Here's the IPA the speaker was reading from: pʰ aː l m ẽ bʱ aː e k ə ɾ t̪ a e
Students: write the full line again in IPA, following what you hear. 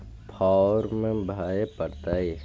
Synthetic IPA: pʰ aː ɾ m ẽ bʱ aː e p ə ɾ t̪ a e